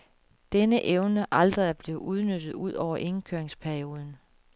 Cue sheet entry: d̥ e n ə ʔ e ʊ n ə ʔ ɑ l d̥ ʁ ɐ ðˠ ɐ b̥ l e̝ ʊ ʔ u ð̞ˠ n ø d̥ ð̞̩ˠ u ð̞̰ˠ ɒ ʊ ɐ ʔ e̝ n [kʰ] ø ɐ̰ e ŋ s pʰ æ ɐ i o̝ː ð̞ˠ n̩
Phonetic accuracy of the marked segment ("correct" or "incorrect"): correct